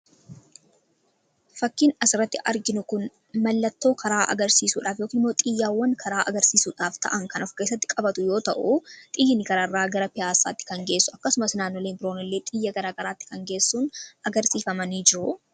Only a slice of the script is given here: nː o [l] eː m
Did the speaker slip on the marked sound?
no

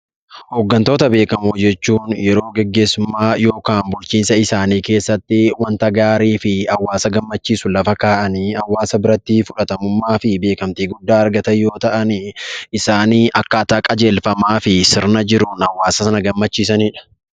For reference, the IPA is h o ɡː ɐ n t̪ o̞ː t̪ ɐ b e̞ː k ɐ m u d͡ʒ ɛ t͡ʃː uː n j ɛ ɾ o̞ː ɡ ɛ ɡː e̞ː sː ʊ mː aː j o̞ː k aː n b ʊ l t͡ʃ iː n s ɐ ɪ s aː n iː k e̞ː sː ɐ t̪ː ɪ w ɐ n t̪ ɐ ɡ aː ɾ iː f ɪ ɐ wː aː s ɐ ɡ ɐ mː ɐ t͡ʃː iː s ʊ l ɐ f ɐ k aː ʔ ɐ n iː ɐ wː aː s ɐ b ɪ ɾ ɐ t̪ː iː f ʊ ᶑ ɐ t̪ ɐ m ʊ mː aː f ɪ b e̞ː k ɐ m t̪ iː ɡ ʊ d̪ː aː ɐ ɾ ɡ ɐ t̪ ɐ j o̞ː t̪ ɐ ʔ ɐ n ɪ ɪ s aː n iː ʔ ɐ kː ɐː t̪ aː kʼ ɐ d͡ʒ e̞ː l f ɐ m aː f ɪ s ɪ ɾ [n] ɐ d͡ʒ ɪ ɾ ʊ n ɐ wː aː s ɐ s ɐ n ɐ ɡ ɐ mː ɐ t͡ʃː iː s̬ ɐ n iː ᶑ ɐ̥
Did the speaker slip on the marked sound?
no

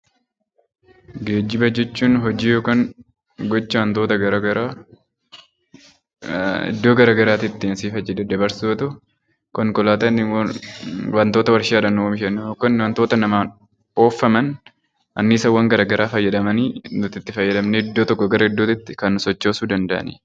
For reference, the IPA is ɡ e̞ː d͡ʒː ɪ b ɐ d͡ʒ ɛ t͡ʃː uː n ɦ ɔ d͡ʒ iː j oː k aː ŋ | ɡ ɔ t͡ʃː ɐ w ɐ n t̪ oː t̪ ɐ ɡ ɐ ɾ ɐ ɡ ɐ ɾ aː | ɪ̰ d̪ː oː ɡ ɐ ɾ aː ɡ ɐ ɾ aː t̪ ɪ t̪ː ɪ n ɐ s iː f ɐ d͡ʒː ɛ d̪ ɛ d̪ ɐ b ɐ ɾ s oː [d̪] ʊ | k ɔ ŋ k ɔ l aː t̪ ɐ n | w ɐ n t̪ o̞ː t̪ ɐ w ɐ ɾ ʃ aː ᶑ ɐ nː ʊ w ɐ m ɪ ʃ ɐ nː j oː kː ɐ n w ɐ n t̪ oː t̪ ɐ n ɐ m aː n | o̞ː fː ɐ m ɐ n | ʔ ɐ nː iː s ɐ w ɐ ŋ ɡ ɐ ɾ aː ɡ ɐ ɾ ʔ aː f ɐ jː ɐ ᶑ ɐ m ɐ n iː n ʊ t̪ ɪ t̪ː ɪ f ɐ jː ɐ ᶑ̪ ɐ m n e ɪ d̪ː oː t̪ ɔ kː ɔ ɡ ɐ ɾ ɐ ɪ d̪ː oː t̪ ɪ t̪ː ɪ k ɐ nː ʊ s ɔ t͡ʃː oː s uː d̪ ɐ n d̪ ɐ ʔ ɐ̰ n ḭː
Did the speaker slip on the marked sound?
yes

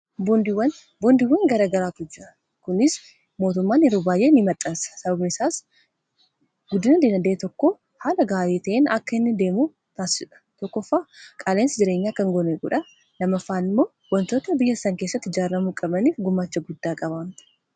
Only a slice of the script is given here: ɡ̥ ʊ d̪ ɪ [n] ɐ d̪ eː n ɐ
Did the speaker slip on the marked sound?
no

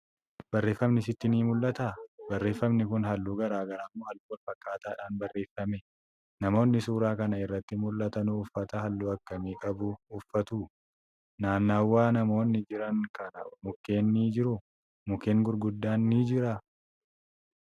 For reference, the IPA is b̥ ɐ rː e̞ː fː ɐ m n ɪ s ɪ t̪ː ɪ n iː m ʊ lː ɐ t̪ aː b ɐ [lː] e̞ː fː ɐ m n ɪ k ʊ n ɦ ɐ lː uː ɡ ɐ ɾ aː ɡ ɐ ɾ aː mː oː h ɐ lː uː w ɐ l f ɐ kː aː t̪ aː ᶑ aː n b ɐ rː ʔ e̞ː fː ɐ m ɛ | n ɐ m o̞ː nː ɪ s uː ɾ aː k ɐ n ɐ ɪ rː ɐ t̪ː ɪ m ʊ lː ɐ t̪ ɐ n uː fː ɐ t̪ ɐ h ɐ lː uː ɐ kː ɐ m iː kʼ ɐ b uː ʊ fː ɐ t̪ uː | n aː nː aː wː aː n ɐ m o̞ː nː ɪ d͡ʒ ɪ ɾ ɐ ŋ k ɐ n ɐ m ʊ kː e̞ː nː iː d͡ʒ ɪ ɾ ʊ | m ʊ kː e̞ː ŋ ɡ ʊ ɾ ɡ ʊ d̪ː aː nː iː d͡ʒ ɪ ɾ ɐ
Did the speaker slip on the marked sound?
yes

